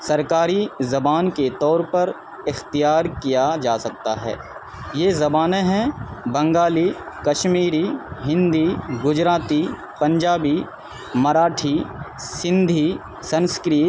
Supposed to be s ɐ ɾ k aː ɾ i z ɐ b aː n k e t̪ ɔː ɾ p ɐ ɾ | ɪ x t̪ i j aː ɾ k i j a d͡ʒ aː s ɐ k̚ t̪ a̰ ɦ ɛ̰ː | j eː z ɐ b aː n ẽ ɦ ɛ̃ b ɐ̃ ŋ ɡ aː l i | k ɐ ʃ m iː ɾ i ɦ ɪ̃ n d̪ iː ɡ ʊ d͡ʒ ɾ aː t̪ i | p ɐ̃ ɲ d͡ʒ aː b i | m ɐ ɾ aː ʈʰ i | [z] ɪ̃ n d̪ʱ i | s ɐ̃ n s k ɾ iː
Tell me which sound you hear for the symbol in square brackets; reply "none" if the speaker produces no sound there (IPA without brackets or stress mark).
s